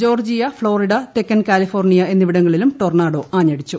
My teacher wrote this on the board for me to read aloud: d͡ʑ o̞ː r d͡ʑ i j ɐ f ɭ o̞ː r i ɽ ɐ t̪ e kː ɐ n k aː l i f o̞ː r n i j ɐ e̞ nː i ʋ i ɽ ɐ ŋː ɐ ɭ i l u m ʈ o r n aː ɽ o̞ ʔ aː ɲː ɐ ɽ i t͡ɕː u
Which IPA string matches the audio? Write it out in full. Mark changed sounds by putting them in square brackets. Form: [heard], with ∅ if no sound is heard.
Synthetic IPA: d͡ʑ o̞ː r d͡ʑ i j ɐ f ɭ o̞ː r i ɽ ɐ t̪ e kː ɐ n k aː l i f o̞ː r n i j ɐ e̞ nː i ʋ i ɽ ɐ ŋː ɐ ɭ i l u m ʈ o r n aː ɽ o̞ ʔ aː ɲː ɐ ɽ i t͡ɕː u